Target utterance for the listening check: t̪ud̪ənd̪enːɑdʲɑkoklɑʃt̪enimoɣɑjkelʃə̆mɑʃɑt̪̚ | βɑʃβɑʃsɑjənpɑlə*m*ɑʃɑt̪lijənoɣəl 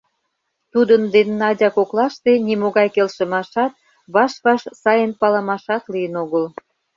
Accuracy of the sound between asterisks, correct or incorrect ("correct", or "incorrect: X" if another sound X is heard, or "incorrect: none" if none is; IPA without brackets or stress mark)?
correct